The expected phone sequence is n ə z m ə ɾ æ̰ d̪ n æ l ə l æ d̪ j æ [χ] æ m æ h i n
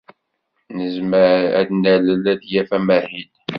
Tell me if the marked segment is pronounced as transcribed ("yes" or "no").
no